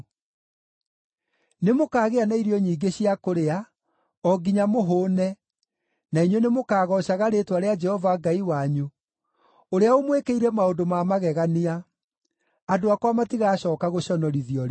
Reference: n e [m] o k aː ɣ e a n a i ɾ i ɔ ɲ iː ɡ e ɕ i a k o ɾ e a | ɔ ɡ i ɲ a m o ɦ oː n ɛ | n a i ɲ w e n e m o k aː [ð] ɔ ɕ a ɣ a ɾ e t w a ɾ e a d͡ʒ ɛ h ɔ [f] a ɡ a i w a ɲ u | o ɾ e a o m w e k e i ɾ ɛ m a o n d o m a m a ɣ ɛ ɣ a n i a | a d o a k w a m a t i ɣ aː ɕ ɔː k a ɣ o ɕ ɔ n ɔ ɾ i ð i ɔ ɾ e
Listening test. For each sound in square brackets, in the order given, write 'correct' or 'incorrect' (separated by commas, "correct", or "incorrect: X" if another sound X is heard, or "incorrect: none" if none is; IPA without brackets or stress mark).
correct, incorrect: ɣ, incorrect: v